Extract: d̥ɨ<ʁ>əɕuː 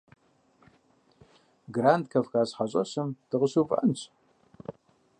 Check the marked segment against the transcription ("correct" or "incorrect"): correct